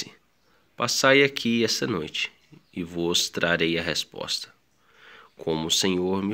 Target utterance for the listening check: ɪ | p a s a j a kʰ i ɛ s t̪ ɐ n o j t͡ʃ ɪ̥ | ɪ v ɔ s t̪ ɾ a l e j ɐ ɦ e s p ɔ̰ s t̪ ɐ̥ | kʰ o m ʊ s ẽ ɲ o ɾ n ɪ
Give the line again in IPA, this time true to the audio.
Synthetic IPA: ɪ | p a s a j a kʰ i ɛ s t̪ ɐ n o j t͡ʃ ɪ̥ | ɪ v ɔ s t̪ ɾ a ɾ e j ɐ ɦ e s p ɔ̰ s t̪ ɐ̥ | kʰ õ m ʊ s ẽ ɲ o ɾ m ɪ